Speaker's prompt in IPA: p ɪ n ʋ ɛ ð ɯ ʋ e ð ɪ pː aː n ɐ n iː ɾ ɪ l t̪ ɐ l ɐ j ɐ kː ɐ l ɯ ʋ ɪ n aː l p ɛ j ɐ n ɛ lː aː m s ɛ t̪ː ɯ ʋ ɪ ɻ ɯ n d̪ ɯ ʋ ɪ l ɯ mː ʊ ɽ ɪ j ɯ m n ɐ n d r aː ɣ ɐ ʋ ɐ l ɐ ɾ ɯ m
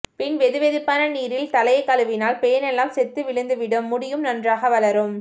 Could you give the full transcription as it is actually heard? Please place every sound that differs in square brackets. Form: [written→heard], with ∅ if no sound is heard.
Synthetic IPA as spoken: p ɪ n ʋ ɛ ð ɯ ʋ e ð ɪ pː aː n ɐ n iː ɾ ɪ l t̪ ɐ l ɐ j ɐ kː ɐ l ɯ ʋ ɪ n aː l p ɛ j ɐ n ɛ lː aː m s ɛ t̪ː ɯ ʋ ɪ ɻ ɯ n d̪ ɯ ʋ ɪ [l→ɽ] ɯ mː ʊ ɽ ɪ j ɯ m n ɐ n d r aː ɣ ɐ ʋ ɐ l ɐ ɾ ɯ m

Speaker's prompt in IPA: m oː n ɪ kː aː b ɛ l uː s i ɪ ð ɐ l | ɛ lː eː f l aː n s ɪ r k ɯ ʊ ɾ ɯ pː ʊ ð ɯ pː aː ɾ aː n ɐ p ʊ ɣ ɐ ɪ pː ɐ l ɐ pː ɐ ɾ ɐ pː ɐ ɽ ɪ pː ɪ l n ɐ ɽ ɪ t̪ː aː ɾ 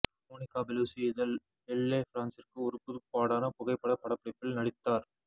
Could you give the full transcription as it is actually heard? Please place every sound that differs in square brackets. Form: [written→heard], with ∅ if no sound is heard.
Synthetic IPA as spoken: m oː n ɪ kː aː b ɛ l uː s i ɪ ð ɐ l | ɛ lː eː f [l→ɾ] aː n s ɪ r k ɯ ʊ ɾ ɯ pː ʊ ð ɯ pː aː [ɾ→ɽ] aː n ɐ p ʊ ɣ ɐ ɪ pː ɐ [l→ɽ] ɐ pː ɐ [ɾ→ɽ] ɐ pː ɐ ɽ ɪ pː ɪ l n ɐ ɽ ɪ t̪ː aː ɾ

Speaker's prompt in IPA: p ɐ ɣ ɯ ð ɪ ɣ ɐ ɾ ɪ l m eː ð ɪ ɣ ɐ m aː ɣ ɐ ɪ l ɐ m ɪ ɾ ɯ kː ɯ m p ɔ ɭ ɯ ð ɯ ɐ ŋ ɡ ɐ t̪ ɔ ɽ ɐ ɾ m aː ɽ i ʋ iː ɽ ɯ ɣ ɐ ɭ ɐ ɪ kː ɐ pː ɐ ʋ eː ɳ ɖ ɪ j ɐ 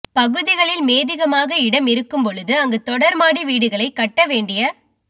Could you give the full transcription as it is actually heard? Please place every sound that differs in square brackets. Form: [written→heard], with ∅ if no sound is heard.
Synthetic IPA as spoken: p ɐ ɣ ɯ ð ɪ ɣ ɐ [ɾ→ɭ] ɪ l m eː ð ɪ ɣ ɐ m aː ɣ ɐ ɪ [l→ɽ] ɐ m ɪ ɾ ɯ kː ɯ m p ɔ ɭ ɯ ð ɯ ɐ ŋ ɡ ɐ t̪ ɔ ɽ ɐ ɾ m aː ɽ i ʋ iː ɽ ɯ ɣ ɐ ɭ ɐ ɪ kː ɐ [pː→ʈː] ɐ ʋ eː ɳ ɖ ɪ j ɐ

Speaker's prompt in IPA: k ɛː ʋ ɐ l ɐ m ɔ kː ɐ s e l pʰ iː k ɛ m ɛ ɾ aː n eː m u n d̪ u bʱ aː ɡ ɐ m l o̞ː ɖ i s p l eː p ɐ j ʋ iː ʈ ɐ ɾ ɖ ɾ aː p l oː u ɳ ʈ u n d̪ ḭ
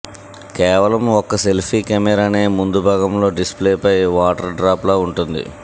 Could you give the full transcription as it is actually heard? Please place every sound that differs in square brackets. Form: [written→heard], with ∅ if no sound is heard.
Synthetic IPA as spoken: k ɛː ʋ ɐ l ɐ m ɔ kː ɐ s e l pʰ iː k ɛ m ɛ ɾ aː n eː m u n d̪ u bʱ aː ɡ ɐ m l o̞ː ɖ i s p l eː p ɐ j ʋ [iː→aː] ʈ ɐ ɾ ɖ ɾ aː p l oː u ɳ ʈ u n d̪ ḭ

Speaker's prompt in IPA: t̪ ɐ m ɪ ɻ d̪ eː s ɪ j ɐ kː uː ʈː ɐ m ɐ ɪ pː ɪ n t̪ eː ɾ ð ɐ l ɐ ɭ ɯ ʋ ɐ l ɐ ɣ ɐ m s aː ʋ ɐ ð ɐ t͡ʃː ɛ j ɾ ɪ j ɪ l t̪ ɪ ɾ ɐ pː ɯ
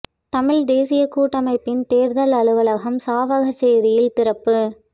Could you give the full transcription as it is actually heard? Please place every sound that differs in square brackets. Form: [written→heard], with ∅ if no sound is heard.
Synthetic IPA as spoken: t̪ ɐ m ɪ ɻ d̪ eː s ɪ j ɐ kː uː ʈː ɐ m ɐ ɪ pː ɪ n t̪ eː ɾ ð ɐ l ɐ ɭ ɯ ʋ ɐ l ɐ ɣ ɐ m s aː ʋ ɐ [ð→ɣ] ɐ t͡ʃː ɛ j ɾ ɪ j ɪ l t̪ ɪ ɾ ɐ pː ɯ

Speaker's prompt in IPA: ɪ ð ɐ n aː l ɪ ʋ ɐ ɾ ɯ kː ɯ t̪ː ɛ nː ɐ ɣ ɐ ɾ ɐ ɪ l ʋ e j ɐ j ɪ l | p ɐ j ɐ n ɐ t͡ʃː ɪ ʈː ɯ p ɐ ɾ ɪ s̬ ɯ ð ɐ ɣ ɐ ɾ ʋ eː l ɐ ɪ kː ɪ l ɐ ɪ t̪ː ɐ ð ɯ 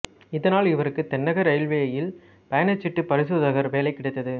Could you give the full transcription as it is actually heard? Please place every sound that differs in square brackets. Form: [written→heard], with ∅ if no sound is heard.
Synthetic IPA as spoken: ɪ ð ɐ n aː l ɪ ʋ ɐ ɾ ɯ kː ɯ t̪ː ɛ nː ɐ ɣ ɐ ɾ ɐ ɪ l ʋ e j ɐ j ɪ l | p ɐ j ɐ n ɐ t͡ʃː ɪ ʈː ɯ p ɐ ɾ ɪ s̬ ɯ ð ɐ ɣ ɐ ɾ ʋ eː l ɐ ɪ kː ɪ [l→ɽ] ɐ ɪ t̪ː ɐ ð ɯ

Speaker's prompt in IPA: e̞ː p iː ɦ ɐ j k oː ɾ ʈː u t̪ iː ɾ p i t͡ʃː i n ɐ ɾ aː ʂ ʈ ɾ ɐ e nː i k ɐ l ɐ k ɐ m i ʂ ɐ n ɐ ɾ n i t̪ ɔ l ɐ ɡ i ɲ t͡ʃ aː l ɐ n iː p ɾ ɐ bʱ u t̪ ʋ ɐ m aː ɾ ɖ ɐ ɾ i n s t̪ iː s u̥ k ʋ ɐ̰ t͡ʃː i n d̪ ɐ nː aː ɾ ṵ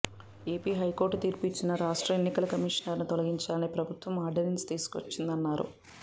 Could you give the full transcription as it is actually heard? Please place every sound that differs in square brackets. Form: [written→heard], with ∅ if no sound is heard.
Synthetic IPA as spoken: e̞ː p iː ɦ ɐ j k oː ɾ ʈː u t̪ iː ɾ p i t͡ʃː i n ɐ ɾ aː ʂ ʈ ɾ ɐ e nː i k ɐ l ɐ k ɐ m i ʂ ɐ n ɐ ɾ n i t̪ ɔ l ɐ ɡ i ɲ t͡ʃ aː l ɐ n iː p ɾ ɐ bʱ u t̪ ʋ ɐ m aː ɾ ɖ ɐ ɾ i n s t̪ iː s u̥ k ʋ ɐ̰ t͡ʃː i n d̪ ɐ nː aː ɾ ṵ

